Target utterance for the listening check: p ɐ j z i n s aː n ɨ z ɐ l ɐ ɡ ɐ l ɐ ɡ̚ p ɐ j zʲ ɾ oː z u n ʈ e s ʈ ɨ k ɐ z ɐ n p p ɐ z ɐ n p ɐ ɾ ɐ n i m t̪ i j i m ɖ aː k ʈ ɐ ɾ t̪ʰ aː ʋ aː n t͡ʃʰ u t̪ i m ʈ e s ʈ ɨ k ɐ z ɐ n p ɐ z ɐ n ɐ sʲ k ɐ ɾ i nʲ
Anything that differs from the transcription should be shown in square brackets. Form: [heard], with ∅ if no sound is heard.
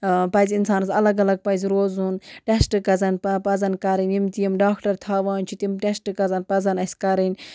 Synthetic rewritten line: p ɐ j z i n s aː n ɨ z ɐ l ɐ ɡ ɐ l ɐ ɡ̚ p ɐ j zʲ ɾ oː z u n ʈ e s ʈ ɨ k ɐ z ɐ n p p ɐ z ɐ n [k] ɐ ɾ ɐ n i m t̪ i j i m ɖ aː k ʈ ɐ ɾ t̪ʰ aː ʋ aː n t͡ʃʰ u t̪ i m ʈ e s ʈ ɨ k ɐ z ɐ n p ɐ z ɐ n ɐ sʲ k ɐ ɾ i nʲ